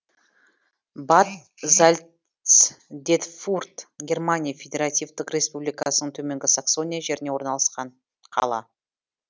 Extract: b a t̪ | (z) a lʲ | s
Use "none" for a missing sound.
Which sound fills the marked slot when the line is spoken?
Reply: z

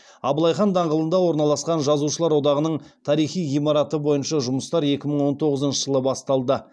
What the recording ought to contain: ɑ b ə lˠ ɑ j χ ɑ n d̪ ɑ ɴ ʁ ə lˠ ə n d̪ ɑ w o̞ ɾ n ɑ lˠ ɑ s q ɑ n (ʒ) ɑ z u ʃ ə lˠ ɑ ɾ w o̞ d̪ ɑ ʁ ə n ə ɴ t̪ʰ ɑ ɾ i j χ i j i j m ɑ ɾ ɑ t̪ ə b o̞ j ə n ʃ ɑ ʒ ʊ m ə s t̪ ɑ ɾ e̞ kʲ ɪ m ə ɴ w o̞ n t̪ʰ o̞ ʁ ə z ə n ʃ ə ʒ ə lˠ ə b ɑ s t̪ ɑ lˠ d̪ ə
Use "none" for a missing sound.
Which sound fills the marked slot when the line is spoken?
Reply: ʒ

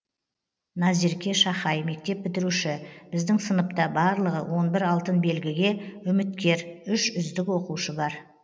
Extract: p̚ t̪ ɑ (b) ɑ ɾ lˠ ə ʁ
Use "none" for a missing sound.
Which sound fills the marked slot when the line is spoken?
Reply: b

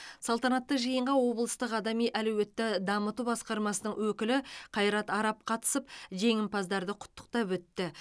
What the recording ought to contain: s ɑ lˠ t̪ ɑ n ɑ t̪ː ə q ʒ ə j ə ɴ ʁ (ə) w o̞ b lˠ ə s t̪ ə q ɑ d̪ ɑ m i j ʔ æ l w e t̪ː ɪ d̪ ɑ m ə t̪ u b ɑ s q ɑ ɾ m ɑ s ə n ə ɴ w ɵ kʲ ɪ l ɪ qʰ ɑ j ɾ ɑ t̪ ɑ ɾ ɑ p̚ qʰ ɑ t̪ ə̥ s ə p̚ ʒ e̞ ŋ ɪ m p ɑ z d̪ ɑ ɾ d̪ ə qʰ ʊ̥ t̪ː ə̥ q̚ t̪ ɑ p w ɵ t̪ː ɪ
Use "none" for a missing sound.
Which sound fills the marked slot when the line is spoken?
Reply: ɑ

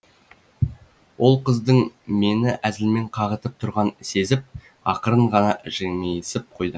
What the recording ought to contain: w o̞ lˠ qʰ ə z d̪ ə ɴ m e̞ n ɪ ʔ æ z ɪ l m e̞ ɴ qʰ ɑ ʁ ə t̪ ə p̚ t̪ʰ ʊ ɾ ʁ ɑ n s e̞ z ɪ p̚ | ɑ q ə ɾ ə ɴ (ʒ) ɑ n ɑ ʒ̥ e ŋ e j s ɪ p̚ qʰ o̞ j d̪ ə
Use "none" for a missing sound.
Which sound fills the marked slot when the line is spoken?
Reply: ʁ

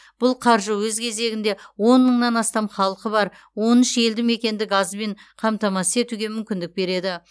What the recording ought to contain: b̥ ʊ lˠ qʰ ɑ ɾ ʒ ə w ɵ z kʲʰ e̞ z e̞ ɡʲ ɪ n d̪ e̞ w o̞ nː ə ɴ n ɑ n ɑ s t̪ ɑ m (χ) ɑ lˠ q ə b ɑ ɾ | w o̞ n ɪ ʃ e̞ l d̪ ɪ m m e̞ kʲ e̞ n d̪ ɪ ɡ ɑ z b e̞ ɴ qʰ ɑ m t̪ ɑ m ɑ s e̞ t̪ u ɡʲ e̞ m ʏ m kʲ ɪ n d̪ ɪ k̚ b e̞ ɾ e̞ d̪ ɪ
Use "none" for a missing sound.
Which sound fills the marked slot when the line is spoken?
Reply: χ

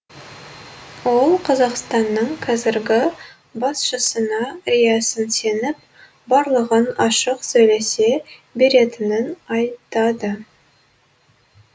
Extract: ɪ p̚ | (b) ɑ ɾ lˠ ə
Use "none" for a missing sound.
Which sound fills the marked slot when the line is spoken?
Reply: b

